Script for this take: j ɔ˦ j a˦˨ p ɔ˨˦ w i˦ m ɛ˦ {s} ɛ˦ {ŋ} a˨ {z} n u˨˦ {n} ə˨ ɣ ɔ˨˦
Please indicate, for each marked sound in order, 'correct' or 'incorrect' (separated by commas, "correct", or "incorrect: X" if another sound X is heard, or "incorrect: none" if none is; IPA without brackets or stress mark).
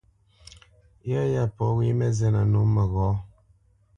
incorrect: z, incorrect: n, incorrect: none, incorrect: m